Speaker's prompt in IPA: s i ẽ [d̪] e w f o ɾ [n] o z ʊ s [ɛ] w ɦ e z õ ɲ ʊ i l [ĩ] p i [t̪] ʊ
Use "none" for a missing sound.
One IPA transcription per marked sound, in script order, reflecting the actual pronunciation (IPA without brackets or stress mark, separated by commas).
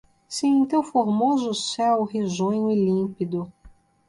t̪, m, ɛ, ĩ, d̪